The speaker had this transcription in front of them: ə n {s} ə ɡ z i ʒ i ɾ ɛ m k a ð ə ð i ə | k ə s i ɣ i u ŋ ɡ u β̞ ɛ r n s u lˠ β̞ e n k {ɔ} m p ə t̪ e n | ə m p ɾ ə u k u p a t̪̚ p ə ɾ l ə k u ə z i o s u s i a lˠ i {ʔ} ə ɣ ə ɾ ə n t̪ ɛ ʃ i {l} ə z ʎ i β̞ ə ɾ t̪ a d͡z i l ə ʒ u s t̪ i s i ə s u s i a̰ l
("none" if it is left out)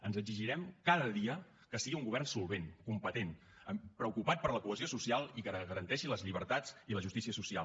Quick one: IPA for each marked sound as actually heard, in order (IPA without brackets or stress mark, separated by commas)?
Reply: z, u, k, l